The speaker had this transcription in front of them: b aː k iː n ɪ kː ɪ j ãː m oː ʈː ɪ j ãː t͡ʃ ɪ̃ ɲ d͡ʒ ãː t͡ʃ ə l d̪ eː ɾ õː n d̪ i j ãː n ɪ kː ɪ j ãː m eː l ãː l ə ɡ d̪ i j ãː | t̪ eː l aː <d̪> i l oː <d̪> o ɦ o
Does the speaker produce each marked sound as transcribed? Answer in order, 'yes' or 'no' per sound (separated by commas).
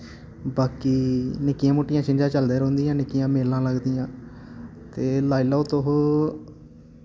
no, no